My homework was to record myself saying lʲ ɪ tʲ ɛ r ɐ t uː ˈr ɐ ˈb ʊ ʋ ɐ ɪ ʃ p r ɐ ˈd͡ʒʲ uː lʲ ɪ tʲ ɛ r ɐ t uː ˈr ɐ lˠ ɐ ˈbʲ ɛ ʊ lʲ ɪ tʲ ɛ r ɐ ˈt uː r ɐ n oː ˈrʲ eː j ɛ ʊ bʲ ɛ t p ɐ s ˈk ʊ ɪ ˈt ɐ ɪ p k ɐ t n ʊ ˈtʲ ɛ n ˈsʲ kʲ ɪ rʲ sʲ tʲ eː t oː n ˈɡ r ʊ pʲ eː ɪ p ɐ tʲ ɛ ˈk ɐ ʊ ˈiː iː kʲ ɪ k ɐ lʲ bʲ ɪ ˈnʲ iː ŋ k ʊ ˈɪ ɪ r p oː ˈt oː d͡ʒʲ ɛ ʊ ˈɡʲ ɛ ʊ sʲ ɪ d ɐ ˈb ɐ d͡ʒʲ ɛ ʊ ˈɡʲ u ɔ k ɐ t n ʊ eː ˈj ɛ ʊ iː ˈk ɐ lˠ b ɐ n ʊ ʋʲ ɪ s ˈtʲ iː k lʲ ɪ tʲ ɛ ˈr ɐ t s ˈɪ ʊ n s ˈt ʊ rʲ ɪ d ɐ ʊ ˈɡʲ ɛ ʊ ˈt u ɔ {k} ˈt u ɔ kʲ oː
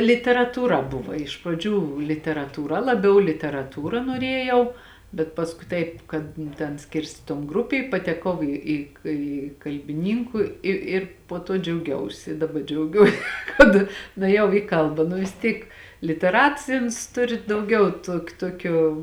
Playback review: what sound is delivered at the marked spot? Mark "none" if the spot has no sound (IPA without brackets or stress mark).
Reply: k